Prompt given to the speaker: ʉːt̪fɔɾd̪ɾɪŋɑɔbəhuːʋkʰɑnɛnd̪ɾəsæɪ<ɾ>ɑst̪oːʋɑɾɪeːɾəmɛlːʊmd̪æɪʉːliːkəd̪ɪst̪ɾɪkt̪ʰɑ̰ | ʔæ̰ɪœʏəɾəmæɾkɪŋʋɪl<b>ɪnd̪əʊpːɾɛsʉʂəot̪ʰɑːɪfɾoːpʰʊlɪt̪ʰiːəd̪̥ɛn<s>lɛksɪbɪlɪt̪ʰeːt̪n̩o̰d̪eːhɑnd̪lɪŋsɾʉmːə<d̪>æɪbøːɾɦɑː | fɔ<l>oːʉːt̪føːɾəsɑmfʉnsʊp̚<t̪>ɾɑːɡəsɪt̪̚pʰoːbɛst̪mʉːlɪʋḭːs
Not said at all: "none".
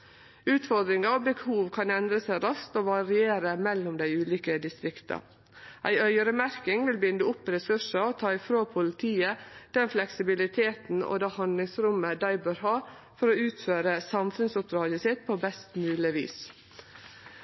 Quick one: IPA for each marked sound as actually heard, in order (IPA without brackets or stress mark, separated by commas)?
ɾ, b, f, d̪, ɾ, d̪